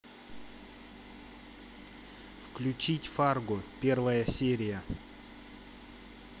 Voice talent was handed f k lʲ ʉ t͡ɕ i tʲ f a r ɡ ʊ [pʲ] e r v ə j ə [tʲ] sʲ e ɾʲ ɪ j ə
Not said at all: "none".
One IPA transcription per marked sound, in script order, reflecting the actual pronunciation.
pʲ, none

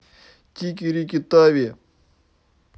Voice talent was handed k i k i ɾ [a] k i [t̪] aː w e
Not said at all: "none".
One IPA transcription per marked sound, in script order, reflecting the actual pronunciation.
i, t̪

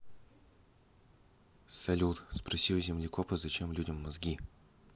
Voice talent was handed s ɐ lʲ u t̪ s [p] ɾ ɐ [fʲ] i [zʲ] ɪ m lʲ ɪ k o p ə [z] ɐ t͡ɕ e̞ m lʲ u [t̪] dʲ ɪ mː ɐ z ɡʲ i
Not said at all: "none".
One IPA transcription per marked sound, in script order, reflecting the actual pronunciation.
p, sʲ, zʲ, z, none

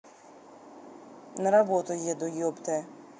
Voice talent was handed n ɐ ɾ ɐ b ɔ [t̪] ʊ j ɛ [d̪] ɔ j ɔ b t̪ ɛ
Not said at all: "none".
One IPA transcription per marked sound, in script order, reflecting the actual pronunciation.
t̪, d̪

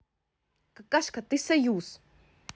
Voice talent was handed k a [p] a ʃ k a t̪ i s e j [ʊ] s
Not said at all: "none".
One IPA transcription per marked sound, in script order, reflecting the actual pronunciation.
k, u

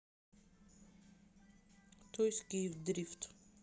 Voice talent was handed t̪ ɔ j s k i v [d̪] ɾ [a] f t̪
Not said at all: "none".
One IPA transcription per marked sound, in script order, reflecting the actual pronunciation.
d̪, i

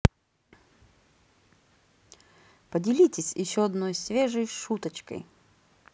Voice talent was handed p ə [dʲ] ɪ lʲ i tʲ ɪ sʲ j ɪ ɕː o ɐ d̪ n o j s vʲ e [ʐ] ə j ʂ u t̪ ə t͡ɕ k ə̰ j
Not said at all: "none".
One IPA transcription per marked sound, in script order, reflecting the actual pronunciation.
dʲ, ʐ

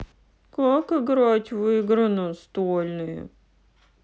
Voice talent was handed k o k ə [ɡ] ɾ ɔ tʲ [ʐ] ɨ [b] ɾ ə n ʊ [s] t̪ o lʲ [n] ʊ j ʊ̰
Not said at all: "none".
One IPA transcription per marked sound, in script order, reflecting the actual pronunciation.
ɡ, v, ɡ, s, n

